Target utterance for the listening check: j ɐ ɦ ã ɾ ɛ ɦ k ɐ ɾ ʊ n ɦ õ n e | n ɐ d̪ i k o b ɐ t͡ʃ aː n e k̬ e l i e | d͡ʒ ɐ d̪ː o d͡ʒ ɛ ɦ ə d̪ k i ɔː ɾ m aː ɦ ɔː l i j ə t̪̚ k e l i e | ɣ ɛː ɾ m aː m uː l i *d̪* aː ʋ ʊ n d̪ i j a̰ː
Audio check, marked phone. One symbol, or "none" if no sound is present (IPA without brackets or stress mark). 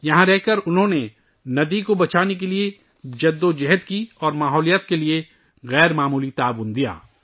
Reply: t̪